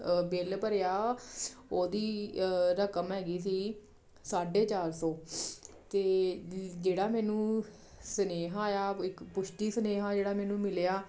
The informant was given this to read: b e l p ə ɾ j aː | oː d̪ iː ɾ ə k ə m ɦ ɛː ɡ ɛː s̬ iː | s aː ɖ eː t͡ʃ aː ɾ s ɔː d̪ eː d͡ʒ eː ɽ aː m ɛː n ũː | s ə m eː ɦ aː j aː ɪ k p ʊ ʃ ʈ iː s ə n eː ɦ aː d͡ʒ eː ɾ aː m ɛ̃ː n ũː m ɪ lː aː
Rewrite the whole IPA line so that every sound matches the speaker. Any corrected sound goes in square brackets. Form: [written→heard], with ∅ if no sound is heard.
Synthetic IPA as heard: b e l p ə ɾ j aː | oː d̪ iː ɾ ə k ə m ɦ ɛː ɡ [ɛː→iː] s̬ iː | s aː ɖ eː t͡ʃ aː ɾ s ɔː [d̪→t̪] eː d͡ʒ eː ɽ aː m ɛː n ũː | s ə [m→n] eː ɦ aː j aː ɪ k p ʊ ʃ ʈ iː s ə n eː ɦ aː d͡ʒ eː [ɾ→ɽ] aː m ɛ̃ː n ũː m ɪ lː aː